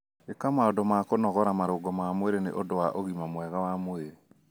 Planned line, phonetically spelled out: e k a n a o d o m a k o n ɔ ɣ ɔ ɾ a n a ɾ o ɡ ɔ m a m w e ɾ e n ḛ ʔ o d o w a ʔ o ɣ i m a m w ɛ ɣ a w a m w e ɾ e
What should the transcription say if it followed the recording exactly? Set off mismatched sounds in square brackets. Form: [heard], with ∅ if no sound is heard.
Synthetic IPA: e k a [m] a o d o m a k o n ɔ ɣ ɔ ɾ a [m] a ɾ o ɡ ɔ m a m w e ɾ e n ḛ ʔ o d o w a ʔ o ɣ i m a m w ɛ ɣ a w a m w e ɾ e